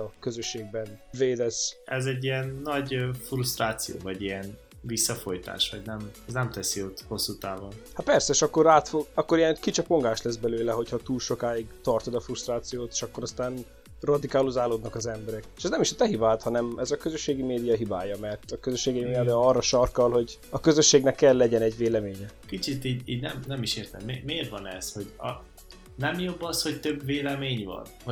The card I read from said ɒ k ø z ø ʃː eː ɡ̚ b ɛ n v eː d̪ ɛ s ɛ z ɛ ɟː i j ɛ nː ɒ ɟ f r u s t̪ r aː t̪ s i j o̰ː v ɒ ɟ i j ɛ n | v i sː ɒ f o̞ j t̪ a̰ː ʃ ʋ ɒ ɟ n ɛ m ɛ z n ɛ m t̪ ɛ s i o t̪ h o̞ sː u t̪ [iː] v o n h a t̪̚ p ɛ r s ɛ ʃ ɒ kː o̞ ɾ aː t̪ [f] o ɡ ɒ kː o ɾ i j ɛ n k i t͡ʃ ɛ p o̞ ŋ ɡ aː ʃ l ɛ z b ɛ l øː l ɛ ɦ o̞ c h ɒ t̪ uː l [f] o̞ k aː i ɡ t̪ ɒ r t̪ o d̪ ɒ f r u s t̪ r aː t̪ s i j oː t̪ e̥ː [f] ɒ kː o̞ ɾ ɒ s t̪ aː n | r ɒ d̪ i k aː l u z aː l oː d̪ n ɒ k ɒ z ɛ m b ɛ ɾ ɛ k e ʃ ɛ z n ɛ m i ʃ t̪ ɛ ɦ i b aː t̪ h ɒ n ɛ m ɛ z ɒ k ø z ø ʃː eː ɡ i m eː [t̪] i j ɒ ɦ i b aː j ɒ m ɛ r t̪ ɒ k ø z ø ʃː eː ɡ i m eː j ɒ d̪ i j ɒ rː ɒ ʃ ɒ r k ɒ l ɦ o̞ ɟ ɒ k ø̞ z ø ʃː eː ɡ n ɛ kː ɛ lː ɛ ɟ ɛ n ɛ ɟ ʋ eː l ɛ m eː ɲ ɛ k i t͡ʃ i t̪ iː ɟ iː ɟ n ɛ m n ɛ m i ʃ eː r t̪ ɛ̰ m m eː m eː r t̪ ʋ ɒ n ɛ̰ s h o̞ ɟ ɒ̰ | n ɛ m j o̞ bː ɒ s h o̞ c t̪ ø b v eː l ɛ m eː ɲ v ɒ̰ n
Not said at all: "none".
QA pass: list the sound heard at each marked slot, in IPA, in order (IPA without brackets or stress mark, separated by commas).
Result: aː, f, ʃ, ʃ, d̪